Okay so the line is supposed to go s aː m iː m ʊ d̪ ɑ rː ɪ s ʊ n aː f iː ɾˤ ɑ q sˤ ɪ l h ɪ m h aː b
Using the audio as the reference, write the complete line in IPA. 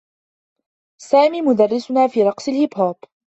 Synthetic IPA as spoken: s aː m iː m ʊ d̪ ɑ rː ɪ s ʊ n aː f iː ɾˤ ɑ q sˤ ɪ l h ɪ b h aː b

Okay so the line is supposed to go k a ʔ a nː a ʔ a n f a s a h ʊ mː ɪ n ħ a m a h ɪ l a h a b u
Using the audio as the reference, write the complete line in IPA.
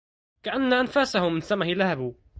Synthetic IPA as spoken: k a ʔ a nː a ʔ a n f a s a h ʊ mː ɪ n s a m a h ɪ l a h a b u

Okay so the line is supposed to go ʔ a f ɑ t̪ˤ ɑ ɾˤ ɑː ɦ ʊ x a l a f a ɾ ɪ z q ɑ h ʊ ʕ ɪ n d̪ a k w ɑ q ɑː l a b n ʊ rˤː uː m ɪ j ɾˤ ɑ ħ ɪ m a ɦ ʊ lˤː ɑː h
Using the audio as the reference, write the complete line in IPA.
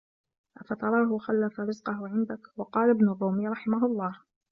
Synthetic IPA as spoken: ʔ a f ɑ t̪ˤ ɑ ɾˤ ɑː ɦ ʊ x a lː a f a ɾ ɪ z q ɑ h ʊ ʕ ɪ n d̪ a k w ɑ q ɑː l a b n ʊ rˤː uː m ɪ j ɾˤ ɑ ħ ɪ m a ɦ ʊ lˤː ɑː h

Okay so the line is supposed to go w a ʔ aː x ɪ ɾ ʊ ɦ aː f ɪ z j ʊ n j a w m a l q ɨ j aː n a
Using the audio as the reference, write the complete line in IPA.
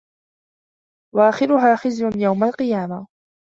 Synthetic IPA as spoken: w a ʔ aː x ɪ ɾ ʊ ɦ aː x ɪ z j ʊ n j a w m a l q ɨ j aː m a

